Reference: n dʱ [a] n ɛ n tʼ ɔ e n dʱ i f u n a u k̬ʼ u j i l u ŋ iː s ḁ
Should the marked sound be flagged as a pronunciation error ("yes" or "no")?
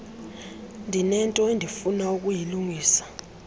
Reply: yes